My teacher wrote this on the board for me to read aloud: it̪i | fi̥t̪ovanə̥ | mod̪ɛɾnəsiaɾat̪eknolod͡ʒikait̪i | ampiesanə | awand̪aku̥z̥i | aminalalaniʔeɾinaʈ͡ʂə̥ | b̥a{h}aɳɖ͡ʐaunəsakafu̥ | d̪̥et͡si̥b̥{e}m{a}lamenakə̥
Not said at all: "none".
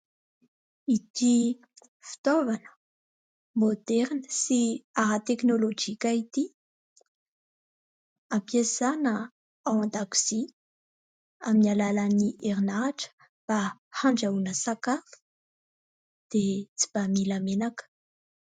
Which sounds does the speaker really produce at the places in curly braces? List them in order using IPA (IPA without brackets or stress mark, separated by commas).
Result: h, a, i